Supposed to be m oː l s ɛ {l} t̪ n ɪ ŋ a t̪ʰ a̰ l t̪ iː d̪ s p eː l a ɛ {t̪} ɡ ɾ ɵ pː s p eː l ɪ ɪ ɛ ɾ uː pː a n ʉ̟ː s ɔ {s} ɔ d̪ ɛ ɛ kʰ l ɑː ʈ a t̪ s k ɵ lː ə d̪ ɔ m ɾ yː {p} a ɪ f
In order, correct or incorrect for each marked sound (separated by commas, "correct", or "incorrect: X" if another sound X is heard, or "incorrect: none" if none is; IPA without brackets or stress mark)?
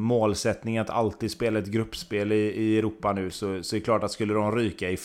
incorrect: none, correct, correct, incorrect: k